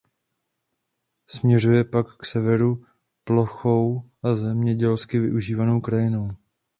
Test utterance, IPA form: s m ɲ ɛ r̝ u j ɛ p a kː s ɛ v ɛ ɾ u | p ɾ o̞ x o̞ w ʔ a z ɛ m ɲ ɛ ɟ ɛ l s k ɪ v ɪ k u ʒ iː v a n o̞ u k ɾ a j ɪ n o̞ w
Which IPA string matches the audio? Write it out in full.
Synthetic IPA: s m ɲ ɛ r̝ u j ɛ p a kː s ɛ v ɛ ɾ u | p l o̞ x o̞ w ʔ a z ɛ m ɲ ɛ ɟ ɛ l s k ɪ v ɪ ʔ u ʒ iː v a n o̞ w k ɾ a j ɪ n o̞ w